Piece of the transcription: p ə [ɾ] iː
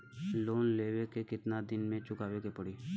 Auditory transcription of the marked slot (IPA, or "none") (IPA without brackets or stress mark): ɽ